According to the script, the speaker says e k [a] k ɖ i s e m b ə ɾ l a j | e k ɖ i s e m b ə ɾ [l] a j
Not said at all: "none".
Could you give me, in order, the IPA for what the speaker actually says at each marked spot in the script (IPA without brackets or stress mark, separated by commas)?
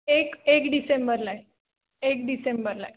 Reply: e, l